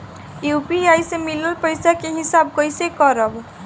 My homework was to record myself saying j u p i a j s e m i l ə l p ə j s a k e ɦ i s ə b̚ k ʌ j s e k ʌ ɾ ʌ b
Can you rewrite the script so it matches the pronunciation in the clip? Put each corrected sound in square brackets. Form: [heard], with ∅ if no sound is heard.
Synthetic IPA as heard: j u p i a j s e m i l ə l p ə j s a k e ɦ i s [a] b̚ k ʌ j s e k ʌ ɾ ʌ b